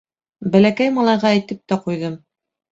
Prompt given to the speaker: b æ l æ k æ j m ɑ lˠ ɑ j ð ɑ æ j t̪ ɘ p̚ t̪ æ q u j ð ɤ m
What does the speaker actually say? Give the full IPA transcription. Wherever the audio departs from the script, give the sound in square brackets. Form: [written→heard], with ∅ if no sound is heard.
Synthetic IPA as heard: b æ l æ k æ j m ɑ lˠ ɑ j [ð→ʁ] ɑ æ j t̪ ɘ p̚ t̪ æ q u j ð ɤ m